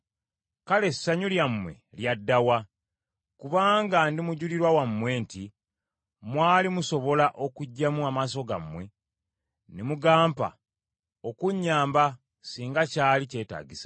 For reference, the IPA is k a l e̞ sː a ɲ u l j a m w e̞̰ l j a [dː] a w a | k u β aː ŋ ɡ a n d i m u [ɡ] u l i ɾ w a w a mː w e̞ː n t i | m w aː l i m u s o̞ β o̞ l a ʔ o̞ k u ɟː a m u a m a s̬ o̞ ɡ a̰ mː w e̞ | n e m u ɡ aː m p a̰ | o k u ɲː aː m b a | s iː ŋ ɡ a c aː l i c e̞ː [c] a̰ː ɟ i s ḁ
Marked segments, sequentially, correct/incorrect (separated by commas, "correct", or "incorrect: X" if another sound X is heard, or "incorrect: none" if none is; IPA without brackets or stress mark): correct, incorrect: ɟ, incorrect: t